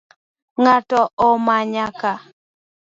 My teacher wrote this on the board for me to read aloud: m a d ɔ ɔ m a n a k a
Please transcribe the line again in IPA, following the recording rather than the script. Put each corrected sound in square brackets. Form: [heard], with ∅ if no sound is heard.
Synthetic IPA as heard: [ŋ] a [t] ɔ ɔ m a [ɲ] a k a